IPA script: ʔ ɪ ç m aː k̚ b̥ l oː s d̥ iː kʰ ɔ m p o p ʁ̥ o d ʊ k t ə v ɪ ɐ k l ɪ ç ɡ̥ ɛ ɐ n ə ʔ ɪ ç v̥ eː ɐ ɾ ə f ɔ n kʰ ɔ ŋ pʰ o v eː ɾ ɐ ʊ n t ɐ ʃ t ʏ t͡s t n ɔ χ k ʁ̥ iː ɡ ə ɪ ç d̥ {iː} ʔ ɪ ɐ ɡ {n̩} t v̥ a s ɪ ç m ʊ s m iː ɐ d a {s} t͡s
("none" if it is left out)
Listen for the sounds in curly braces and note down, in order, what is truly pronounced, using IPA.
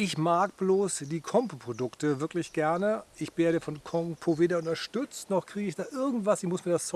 aː, ŋ̩, s

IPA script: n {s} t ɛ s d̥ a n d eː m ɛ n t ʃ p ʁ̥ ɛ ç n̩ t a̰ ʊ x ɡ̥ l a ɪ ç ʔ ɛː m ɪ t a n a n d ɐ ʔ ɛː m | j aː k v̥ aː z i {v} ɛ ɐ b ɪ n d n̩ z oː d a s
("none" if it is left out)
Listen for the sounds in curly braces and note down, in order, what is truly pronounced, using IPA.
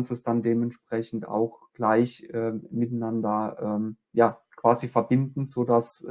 s, f

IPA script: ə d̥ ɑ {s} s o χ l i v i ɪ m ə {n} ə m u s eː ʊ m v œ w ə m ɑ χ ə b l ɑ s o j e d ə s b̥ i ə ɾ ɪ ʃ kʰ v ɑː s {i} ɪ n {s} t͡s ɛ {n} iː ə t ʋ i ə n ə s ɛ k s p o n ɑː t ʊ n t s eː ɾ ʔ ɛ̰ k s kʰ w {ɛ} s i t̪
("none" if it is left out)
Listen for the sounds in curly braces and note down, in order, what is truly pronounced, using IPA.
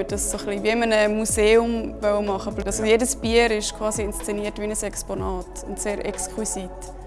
s, n, i, s, n, i

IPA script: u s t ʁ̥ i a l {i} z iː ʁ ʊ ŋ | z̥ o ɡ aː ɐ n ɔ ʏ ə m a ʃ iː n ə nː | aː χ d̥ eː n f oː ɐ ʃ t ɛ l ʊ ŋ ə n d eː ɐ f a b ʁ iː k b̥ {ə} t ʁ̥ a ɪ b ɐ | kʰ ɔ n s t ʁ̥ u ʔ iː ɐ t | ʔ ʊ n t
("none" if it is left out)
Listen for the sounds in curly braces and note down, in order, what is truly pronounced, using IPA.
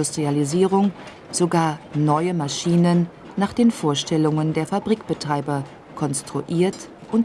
i, ə

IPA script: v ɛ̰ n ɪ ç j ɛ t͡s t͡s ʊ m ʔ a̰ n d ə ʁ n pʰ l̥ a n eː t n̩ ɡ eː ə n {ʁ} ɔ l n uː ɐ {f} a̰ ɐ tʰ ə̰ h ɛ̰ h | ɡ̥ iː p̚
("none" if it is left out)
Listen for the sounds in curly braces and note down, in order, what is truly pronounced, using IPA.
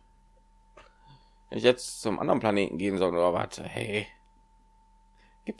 z, v

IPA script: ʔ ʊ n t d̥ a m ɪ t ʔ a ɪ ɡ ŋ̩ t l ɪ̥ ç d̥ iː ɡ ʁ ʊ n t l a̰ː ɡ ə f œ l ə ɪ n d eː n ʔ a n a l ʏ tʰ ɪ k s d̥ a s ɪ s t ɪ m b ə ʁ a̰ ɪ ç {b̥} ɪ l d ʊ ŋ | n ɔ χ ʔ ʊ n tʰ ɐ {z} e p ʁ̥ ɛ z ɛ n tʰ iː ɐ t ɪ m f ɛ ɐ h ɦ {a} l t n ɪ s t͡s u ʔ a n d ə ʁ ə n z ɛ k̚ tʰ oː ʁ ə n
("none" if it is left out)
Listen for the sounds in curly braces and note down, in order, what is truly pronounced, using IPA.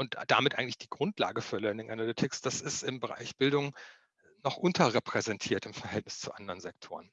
b̥, ʁ, ɛ

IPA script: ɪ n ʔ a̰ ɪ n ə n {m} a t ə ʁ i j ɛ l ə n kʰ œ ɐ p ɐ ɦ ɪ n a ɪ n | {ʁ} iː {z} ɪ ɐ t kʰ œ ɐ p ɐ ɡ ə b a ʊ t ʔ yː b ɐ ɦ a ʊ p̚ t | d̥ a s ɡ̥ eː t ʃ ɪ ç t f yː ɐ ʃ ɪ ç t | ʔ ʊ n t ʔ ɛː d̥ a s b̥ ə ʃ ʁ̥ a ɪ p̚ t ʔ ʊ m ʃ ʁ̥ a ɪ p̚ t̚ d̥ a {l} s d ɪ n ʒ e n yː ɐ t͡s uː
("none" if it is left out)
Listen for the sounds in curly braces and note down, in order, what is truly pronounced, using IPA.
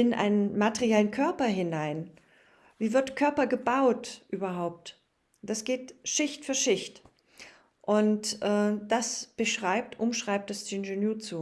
m, v, v, none

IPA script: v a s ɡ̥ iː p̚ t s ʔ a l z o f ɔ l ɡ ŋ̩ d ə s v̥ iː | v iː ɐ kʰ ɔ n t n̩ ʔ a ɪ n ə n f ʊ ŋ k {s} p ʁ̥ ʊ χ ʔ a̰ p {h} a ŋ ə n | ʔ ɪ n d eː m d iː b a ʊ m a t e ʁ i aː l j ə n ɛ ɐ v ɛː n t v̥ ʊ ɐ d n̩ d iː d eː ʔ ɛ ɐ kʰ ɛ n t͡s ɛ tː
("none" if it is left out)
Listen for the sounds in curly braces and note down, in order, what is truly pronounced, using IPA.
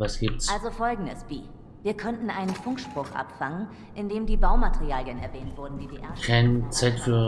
ʃ, f

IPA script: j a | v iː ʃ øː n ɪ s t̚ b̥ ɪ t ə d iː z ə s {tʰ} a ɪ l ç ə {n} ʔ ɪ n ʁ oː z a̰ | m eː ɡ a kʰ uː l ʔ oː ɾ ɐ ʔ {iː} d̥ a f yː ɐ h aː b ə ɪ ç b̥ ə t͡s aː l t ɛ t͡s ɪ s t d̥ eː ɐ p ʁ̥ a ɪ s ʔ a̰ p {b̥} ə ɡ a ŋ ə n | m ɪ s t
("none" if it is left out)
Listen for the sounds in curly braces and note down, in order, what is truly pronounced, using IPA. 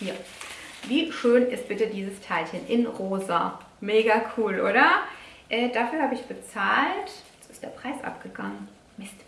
tʰ, n, ɛː, ɡ̥

